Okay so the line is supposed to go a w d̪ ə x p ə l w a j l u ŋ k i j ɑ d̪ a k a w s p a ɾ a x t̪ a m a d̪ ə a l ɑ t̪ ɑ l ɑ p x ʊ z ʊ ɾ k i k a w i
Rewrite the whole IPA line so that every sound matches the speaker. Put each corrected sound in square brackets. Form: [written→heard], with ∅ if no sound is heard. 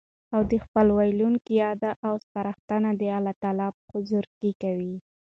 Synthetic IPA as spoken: a w d̪ ə x p ə l w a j l u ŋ k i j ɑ d̪ a [k→ʔ] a w s p a ɾ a x t̪ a [m→n] a d̪ ə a l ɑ t̪ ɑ l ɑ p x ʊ z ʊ ɾ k i k a w i